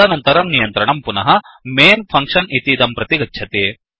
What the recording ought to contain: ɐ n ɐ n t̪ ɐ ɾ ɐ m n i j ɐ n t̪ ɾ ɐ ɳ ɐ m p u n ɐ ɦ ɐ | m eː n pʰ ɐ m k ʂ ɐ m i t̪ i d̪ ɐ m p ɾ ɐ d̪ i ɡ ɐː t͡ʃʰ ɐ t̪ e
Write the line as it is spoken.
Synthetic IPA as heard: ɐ n ɐ n t̪ ɐ ɾ ɐ m n i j ɐ n t̪ ɾ ɐ ɳ ɐ m p u n ɐ ɦ ɐ | m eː n pʰ ɐ ŋ k ʂ ɐ n i t̪ i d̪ ɐ m p ɾ ɐ t̪ i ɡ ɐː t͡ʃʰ ɐ t̪ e